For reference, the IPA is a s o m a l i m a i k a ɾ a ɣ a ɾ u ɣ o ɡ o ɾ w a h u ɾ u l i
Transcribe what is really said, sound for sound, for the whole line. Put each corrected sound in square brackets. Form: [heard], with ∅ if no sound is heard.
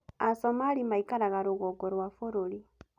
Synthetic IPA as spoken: a s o m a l i m a i k a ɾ a ɣ a ɾ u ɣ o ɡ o ɾ w a [f] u ɾ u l i